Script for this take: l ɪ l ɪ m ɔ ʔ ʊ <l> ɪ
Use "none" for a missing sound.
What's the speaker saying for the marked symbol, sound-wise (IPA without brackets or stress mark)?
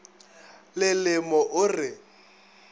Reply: r